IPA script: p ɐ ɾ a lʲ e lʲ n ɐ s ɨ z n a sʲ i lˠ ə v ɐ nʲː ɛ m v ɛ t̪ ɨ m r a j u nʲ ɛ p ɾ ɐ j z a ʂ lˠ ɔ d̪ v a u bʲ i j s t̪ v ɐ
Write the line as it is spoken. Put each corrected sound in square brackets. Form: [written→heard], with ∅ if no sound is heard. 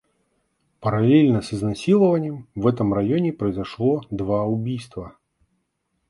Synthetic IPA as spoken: p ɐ ɾ a lʲ e lʲ n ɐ s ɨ z n a sʲ i lˠ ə v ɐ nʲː ɛ m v ɛ t̪ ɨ m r a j [u→ɔ] nʲ ɛ p ɾ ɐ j z a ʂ lˠ ɔ d̪ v a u bʲ i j s t̪ v ɐ